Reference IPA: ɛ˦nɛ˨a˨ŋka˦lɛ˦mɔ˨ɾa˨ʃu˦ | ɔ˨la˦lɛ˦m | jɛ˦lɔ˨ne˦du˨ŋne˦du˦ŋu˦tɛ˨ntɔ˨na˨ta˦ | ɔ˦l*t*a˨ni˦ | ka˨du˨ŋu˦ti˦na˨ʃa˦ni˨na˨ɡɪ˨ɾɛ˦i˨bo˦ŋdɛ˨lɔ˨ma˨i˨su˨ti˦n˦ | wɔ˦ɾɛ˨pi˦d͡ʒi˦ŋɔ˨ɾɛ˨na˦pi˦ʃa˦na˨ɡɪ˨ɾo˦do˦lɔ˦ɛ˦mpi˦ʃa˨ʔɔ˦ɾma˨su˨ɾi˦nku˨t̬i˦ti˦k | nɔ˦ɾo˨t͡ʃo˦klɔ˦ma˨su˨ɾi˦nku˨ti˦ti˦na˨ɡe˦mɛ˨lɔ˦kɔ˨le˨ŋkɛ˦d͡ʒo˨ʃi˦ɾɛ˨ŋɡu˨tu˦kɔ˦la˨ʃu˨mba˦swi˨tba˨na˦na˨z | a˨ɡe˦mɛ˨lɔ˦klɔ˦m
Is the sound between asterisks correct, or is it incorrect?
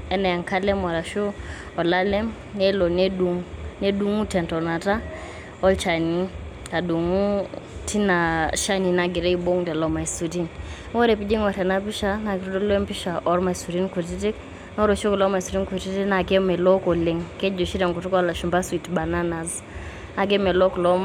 incorrect